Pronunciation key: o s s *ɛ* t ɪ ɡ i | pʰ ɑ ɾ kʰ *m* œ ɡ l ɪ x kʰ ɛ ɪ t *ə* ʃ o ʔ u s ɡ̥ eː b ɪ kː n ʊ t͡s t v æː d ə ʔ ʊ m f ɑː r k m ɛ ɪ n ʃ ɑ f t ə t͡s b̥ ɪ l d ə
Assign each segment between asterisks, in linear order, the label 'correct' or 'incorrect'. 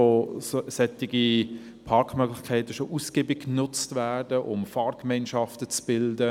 correct, correct, correct

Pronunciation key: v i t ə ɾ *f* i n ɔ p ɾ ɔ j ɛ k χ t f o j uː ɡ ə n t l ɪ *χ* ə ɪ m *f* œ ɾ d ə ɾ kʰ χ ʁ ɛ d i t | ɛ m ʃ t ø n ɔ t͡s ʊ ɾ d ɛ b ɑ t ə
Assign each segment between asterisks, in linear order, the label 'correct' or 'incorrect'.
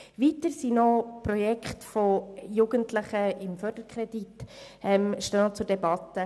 incorrect, correct, correct

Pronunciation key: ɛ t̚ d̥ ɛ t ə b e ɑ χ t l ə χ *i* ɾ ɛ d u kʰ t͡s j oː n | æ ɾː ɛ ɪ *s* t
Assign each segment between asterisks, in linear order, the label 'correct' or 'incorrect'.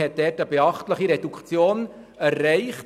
correct, incorrect

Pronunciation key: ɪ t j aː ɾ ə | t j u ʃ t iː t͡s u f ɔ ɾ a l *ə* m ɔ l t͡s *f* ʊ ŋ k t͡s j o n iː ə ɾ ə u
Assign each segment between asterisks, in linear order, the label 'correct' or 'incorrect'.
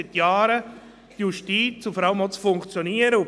correct, correct

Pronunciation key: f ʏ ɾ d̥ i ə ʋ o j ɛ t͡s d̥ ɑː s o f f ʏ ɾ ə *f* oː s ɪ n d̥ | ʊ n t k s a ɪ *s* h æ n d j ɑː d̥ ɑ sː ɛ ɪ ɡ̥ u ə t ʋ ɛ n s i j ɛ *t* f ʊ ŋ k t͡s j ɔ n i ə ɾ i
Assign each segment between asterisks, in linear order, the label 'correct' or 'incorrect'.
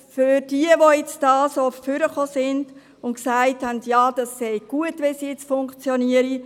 incorrect, incorrect, incorrect

